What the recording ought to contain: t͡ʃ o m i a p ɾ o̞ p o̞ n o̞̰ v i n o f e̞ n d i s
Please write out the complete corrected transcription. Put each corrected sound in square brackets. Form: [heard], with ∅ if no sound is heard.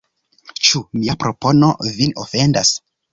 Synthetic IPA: t͡ʃ [u] m i a p ɾ o̞ p o̞ n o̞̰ v i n o f e̞ n d [a] s